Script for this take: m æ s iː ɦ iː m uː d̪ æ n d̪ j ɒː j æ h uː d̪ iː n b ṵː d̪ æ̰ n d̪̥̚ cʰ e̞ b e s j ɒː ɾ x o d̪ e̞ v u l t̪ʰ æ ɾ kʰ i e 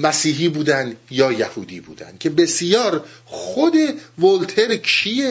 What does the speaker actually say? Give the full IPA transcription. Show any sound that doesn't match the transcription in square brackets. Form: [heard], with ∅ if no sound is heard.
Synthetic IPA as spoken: m æ s iː ɦ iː [b] uː d̪ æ n d̪ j ɒː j æ h uː d̪ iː [∅] b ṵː d̪ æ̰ n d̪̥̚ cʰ e̞ b e s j ɒː ɾ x o d̪ e̞ v [o] l t̪ʰ [e] ɾ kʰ i e